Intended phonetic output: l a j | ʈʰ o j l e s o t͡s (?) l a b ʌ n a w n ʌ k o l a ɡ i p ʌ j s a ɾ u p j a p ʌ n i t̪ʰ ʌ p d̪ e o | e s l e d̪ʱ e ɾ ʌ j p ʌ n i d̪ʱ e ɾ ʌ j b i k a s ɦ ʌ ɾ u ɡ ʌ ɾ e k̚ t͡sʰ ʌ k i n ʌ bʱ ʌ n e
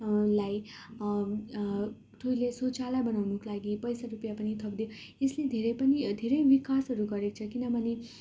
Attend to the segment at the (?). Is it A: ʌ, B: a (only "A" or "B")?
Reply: B